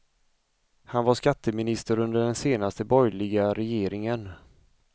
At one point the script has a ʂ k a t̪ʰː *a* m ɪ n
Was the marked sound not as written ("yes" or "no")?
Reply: yes